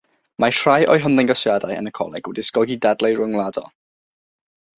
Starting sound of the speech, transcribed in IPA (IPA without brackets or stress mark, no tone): m